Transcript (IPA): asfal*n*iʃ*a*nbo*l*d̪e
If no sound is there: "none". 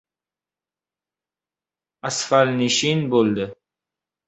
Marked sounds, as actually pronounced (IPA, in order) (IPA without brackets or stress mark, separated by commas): n, i, l